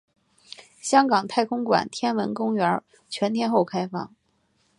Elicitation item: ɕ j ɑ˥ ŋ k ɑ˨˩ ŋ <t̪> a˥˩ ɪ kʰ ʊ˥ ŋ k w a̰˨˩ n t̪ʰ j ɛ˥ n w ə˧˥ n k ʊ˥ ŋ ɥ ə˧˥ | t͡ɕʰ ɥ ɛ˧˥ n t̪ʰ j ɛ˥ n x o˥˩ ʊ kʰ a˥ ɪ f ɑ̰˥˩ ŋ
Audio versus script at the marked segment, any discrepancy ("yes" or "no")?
yes